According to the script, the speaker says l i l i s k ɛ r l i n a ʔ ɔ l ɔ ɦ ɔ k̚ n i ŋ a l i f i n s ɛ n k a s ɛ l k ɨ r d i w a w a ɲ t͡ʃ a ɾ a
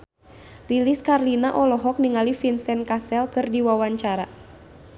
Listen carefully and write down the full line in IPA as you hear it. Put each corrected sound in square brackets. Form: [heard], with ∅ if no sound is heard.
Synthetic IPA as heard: l i l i s k [a] r l i n a ʔ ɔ l ɔ ɦ ɔ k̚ n i ŋ a l i f i n s ɛ n k a s ɛ l k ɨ r d i w a w a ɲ t͡ʃ a ɾ a